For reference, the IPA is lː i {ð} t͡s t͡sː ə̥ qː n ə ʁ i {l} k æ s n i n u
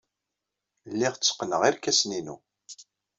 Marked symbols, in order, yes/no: no, no

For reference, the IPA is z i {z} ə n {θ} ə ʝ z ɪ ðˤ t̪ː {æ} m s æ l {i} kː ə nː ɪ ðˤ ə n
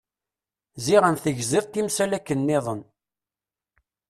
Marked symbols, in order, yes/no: no, yes, no, no

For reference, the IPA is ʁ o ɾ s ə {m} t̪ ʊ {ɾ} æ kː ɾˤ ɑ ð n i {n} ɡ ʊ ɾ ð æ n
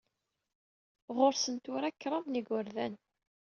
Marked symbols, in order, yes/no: no, yes, no

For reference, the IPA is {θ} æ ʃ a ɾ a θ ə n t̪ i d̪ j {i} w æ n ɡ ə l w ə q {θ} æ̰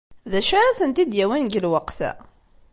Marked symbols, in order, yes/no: no, no, yes

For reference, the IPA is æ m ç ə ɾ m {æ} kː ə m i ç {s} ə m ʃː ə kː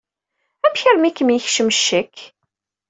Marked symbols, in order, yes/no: no, no

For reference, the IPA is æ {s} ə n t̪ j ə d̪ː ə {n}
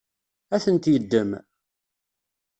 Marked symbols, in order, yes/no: no, no

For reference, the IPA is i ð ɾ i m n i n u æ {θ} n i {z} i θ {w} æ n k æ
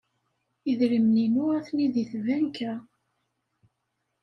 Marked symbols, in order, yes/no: yes, no, no

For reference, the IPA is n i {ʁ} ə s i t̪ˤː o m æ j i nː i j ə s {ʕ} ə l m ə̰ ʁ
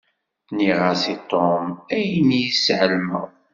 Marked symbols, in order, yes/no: yes, yes

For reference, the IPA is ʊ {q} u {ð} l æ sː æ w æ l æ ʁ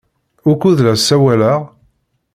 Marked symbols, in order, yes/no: no, yes

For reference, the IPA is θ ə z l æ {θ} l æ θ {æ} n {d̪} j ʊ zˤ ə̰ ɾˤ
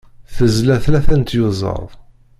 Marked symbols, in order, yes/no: yes, yes, no

